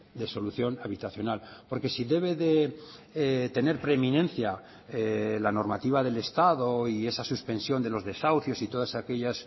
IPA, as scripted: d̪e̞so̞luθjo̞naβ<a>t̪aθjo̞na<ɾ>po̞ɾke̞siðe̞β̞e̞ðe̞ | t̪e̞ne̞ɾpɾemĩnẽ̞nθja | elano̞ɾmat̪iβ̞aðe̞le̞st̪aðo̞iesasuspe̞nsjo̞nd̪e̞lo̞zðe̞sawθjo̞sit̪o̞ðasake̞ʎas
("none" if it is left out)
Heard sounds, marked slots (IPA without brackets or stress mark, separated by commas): i, l